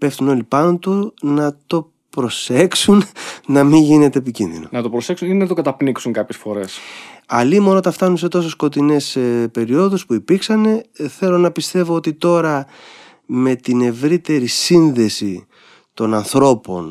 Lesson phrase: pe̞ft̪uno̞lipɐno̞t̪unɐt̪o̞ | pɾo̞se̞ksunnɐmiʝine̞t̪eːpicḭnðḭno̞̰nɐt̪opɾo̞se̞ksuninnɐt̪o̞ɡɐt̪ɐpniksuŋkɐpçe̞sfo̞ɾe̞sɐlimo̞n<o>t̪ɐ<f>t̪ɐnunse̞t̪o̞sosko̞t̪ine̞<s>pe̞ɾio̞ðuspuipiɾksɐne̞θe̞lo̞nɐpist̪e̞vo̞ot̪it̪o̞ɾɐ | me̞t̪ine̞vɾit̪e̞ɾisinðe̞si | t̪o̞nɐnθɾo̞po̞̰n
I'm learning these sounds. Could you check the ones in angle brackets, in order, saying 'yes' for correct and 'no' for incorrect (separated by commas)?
yes, yes, yes